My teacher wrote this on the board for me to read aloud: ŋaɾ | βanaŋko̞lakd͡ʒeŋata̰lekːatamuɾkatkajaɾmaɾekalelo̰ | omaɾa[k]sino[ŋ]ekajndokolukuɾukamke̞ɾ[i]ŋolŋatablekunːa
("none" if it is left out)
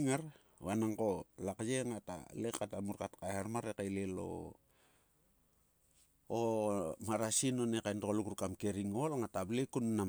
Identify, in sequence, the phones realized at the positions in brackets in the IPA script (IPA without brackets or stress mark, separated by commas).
none, n, i